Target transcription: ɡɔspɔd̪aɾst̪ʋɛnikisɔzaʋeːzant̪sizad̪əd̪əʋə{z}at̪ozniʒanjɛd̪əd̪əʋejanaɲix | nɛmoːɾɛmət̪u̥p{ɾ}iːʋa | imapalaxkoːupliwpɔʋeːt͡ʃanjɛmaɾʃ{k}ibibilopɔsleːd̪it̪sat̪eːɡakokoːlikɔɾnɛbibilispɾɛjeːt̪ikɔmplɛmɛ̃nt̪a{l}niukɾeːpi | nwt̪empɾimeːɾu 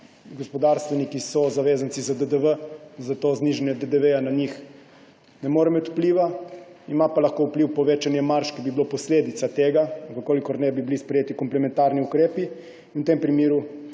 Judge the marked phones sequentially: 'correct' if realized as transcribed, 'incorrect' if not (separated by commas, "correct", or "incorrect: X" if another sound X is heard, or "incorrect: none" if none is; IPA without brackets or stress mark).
correct, incorrect: l, correct, incorrect: ɾ